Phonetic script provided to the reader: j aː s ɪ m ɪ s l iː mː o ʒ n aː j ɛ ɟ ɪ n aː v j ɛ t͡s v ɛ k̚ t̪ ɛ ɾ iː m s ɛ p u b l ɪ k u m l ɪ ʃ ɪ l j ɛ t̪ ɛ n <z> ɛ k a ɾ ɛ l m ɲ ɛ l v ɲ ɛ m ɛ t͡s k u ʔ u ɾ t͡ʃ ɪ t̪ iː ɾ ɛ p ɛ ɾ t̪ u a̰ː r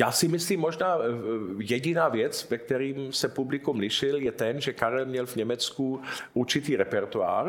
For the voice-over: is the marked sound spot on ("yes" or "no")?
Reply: no